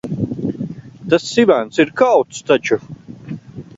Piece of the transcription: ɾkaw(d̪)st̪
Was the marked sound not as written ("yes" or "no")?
yes